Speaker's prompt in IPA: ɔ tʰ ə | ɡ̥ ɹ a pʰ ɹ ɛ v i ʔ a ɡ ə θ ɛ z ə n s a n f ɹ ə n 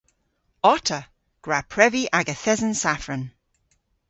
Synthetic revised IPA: ɔ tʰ ə | ɡ̥ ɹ a pʰ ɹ ɛ v i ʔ a ɡ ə θ ɛ z ə n s a f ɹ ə n

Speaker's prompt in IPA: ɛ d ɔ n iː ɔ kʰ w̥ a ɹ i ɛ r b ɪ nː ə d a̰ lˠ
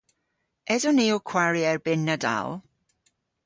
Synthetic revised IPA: ɛ d ɔ n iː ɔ kʰ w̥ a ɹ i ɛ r b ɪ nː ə d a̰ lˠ

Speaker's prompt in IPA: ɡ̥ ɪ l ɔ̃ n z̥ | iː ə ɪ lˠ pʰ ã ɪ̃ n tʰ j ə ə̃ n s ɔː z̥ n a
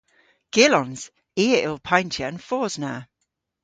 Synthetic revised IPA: ɡ̥ ɪ l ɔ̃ n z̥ | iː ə ɪ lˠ pʰ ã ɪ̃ n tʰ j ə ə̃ n f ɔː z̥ n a

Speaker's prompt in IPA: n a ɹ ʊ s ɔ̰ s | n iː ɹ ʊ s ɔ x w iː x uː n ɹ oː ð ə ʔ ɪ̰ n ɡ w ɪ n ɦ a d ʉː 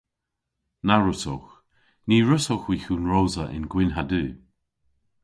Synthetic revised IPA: n a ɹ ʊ s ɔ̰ x | n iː ɹ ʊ s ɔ x w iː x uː n ɹ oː z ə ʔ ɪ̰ n ɡ w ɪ n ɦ a d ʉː

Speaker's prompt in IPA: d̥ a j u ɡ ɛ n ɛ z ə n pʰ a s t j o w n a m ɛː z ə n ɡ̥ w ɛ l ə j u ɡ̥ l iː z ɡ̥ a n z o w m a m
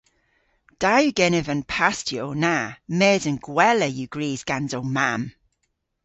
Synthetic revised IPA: d̥ a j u ɡ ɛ n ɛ v ə n pʰ a s t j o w n a m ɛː z ə n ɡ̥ w ɛ l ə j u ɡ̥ ɹ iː z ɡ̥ a n z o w m a m

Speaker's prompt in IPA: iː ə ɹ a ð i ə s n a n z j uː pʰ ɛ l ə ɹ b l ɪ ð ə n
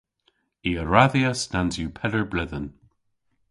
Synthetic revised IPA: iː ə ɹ a ð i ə s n a n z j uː pʰ ɛ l ə ɹ b l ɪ ð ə n

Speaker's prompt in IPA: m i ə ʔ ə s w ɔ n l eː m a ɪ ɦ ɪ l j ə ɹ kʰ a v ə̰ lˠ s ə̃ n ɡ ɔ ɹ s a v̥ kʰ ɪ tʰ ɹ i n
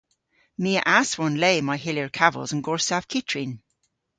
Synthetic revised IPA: m i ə ʔ a s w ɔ n l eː m a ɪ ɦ ɪ l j ə ɹ kʰ a v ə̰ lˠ z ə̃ n ɡ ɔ ɹ s a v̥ kʰ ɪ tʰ ɹ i n

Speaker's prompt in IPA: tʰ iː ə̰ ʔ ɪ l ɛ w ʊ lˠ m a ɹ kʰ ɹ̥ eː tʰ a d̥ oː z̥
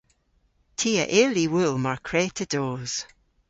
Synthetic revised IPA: tʰ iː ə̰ ʔ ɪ l i w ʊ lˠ m a ɹ kʰ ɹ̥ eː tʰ ə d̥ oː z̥

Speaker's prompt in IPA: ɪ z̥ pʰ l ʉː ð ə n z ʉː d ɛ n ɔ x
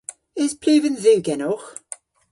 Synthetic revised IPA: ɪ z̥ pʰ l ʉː v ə n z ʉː ɡ ɛ n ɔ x

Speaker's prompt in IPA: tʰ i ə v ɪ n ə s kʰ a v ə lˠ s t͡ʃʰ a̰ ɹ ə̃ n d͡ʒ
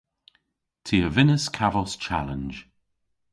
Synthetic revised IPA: tʰ i ə v ɪ n ə s kʰ a v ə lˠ s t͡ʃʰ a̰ l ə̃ n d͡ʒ

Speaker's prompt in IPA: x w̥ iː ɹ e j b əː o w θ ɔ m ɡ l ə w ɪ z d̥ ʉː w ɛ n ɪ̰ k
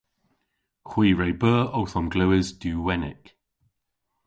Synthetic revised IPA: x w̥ iː ɹ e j b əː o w θ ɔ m ɡ l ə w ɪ z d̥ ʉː w ɛ n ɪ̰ k

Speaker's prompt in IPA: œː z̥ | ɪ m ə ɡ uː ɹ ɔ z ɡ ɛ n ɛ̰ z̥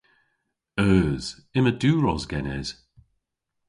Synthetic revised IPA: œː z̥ | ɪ m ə d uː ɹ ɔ z ɡ ɛ n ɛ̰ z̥

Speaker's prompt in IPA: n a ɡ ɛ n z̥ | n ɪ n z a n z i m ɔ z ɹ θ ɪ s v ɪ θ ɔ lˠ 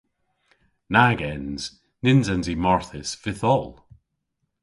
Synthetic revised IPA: n a ɡ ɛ n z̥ | n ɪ n z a n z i m ɔ ɹ θ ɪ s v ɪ θ ɔ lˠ

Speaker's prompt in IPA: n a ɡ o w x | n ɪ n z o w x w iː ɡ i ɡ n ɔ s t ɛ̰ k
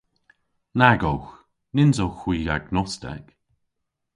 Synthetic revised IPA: n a ɡ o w x | n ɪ n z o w x w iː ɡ a ɡ n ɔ s t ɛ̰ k

